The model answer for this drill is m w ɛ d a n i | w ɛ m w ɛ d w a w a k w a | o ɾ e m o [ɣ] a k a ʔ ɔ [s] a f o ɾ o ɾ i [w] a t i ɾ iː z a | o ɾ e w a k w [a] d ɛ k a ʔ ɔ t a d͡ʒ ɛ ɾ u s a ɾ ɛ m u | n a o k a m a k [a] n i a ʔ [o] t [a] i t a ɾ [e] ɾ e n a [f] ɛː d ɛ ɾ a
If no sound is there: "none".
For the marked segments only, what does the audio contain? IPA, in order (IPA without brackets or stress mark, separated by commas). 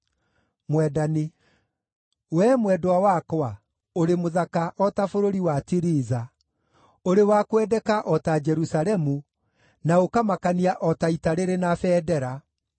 ð, t, w, ɛ, a, ɔ, a, e, f